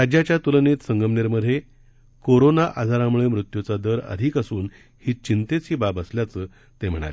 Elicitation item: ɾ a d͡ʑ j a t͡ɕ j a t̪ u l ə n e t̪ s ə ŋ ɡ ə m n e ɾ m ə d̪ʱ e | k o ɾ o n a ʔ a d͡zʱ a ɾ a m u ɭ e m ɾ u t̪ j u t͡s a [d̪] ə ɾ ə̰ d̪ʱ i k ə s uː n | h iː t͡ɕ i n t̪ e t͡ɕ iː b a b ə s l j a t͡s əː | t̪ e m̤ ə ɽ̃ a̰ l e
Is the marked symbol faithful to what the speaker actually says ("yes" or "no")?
yes